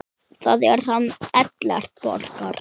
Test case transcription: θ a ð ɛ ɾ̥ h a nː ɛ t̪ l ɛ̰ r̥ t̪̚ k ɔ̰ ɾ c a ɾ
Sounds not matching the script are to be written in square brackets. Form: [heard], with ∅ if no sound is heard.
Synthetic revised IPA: θ a ð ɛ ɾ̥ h a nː ɛ t̪ l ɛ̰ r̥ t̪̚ [p] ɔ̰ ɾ [k] a ɾ